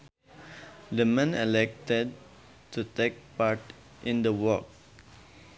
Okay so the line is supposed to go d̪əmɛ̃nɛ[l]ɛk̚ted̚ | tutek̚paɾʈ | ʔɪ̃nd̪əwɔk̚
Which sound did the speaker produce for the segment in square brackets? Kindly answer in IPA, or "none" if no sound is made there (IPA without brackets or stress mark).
l